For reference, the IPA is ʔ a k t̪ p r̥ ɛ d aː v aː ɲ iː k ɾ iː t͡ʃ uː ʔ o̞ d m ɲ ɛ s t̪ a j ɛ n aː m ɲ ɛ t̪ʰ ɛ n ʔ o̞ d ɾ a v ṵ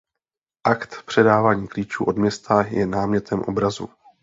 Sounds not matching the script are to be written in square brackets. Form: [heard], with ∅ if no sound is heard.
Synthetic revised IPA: ʔ a k t̪ p r̥ ɛ d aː v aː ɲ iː k [l] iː t͡ʃ uː ʔ o̞ d m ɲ ɛ s t̪ a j ɛ n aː m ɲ ɛ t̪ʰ ɛ [m] ʔ o̞ [b] ɾ a [z] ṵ